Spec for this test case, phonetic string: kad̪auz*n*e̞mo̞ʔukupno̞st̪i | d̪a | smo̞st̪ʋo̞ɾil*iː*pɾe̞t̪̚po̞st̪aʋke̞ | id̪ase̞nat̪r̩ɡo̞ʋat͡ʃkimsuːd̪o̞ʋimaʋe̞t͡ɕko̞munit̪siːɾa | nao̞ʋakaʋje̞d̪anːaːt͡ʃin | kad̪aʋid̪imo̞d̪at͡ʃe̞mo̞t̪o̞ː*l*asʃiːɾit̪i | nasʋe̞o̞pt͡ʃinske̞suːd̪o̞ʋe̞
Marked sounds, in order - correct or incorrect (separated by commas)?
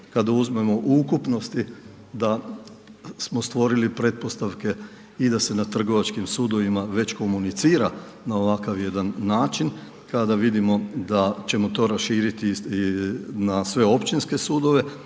incorrect, incorrect, incorrect